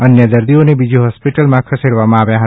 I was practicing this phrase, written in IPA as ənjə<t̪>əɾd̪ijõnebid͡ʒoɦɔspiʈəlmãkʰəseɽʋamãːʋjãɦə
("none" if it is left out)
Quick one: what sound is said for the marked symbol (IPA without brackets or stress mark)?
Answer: d̪